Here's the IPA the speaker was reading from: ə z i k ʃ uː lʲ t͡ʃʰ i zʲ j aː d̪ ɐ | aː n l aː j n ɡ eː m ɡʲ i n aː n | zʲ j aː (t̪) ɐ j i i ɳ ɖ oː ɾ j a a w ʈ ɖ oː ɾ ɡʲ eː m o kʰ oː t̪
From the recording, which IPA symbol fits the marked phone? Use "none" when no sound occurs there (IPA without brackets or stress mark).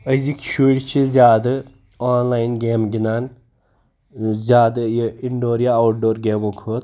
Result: d̪